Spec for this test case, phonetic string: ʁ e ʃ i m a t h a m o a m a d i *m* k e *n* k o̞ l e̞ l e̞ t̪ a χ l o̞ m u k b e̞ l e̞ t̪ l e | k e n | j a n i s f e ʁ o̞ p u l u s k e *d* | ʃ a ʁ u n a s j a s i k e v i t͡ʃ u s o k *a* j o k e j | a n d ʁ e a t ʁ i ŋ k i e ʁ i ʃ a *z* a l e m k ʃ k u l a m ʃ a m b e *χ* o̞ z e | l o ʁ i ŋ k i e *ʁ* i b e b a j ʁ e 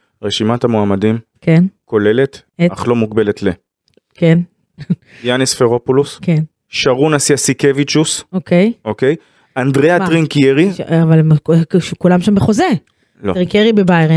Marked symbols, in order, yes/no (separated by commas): yes, yes, no, no, no, yes, yes